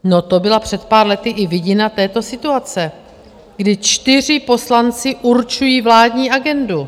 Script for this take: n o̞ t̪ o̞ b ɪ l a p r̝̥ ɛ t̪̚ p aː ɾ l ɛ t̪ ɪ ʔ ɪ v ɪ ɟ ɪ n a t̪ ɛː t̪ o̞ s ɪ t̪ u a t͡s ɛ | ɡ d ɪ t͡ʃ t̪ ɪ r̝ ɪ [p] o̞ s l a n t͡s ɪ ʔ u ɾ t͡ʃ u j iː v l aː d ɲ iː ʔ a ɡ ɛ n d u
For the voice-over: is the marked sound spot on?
yes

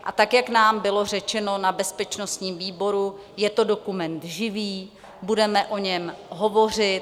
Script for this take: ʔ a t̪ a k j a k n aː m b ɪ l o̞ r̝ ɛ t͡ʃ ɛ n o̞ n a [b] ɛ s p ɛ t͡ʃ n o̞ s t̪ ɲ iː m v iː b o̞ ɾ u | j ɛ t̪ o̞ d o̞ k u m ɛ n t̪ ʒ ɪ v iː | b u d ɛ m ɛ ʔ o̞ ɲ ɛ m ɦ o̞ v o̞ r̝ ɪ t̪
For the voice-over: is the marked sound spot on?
yes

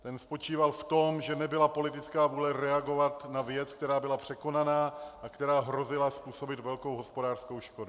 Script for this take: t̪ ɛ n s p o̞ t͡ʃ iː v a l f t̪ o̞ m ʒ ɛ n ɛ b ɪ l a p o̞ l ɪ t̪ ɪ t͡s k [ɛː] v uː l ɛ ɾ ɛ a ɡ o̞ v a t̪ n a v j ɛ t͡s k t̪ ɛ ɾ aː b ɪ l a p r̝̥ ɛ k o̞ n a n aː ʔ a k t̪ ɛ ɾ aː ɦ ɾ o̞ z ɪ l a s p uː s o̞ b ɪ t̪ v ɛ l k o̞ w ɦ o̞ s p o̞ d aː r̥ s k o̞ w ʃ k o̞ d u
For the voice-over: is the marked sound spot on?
no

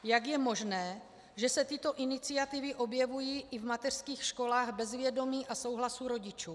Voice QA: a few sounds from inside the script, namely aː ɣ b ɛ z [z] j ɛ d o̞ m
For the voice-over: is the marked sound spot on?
no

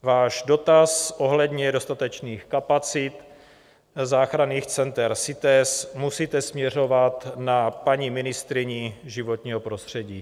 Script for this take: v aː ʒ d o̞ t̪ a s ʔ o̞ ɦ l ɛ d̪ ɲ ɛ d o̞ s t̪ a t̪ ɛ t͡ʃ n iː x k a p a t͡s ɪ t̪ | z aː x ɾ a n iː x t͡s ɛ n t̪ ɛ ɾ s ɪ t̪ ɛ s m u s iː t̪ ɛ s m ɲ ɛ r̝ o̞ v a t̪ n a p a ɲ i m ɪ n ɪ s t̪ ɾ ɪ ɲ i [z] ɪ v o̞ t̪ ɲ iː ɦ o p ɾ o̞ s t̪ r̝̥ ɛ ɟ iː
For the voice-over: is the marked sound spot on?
no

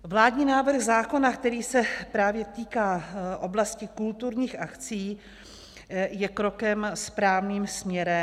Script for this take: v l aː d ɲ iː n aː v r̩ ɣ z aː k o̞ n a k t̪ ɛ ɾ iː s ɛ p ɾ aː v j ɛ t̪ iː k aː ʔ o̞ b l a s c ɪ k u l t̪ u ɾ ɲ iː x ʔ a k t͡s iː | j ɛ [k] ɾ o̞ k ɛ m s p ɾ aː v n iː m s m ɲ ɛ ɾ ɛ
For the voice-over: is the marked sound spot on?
yes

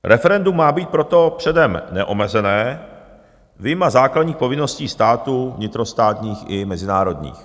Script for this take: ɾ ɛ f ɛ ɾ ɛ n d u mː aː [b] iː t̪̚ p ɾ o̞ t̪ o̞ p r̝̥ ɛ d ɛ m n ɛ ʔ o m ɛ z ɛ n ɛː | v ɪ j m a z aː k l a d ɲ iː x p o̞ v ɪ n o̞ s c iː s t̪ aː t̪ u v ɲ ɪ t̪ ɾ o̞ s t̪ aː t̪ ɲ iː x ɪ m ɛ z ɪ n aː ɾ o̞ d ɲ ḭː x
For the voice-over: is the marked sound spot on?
yes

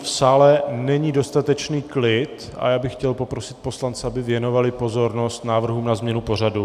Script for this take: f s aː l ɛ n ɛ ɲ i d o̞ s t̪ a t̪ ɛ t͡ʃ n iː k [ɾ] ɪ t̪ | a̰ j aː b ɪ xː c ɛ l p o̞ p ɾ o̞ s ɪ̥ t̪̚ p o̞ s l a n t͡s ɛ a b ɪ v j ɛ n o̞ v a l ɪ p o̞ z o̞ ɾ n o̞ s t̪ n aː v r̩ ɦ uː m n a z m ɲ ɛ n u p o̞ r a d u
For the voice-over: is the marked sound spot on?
no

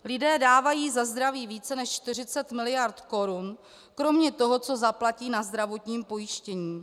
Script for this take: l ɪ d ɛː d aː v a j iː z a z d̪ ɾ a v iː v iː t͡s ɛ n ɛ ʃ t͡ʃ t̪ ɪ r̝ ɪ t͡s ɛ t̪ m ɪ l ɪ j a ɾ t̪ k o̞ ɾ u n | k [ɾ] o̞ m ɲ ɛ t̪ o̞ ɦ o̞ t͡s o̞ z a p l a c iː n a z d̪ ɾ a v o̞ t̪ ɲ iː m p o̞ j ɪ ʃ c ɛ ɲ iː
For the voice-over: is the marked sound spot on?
yes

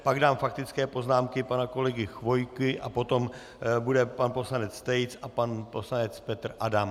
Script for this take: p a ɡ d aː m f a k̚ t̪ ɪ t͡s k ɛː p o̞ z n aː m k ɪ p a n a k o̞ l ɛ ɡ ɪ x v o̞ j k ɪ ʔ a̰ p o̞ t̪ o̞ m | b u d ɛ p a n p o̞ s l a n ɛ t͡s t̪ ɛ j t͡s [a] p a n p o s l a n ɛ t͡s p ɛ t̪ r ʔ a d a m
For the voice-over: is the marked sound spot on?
yes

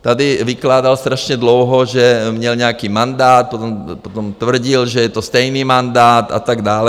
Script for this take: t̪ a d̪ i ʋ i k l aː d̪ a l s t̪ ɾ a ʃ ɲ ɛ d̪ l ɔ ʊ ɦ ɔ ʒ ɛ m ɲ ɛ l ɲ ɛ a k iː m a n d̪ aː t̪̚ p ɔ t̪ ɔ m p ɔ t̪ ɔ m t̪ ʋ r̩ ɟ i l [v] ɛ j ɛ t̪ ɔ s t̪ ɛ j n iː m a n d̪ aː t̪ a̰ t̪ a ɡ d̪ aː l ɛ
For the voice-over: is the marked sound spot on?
no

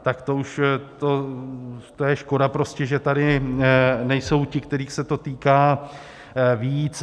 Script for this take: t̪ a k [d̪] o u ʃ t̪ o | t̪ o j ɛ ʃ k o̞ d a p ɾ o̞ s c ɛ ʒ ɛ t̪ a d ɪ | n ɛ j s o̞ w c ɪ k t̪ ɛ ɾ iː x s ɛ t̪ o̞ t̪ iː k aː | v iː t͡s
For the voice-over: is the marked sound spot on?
no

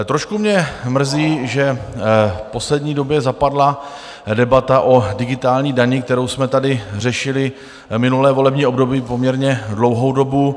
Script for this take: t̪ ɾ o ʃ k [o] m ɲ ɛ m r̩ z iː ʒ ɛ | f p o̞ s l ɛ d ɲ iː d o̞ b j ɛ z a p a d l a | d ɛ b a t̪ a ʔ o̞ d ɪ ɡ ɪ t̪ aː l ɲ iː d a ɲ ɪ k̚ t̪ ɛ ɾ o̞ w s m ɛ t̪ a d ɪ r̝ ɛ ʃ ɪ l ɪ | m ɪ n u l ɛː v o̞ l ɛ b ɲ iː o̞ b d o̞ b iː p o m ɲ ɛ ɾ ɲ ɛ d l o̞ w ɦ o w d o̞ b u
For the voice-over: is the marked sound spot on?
no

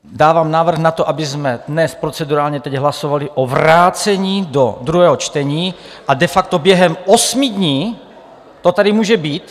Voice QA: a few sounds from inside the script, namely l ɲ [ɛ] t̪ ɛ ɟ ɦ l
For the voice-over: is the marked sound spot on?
yes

